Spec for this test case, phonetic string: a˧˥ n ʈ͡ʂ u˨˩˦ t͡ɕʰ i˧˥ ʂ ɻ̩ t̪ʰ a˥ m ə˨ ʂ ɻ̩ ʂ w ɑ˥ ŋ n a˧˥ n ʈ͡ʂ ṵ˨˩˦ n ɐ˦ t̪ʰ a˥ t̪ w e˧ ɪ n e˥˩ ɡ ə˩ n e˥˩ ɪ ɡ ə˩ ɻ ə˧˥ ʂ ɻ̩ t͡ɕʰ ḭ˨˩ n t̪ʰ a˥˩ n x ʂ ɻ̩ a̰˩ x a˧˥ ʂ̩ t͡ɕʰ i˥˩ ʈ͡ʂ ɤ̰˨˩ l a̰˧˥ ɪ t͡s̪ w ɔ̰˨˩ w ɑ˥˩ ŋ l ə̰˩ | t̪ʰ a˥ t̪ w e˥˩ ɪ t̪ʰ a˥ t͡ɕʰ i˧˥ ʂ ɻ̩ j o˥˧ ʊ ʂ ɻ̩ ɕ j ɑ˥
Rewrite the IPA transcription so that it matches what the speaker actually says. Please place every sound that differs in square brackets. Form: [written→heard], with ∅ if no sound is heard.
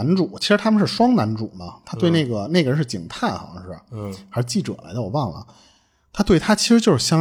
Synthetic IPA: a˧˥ n ʈ͡ʂ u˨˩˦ t͡ɕʰ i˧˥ ʂ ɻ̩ t̪ʰ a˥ m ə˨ ʂ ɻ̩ ʂ w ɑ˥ ŋ n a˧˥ n ʈ͡ʂ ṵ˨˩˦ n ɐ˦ t̪ʰ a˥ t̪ w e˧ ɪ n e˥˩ ɡ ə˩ n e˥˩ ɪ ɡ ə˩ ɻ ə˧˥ ʂ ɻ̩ [t͡ɕʰ→t͡ɕ] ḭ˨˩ [n→ŋ] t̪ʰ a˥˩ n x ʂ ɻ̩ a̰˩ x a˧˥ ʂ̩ [t͡ɕʰ→t͡ɕ] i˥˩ ʈ͡ʂ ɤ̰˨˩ l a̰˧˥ ɪ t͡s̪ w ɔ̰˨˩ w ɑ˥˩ ŋ l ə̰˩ | t̪ʰ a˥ t̪ w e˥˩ ɪ t̪ʰ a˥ t͡ɕʰ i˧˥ ʂ ɻ̩ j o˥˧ ʊ ʂ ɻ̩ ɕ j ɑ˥